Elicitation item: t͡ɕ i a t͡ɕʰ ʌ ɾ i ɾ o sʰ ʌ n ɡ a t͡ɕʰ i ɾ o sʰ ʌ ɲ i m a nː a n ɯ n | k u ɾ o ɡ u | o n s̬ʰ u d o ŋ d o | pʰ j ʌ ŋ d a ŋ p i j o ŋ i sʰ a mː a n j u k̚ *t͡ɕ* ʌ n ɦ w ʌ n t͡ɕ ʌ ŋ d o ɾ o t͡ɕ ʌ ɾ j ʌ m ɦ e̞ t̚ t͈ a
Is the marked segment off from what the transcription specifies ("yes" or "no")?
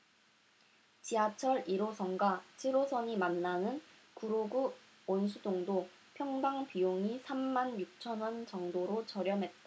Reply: yes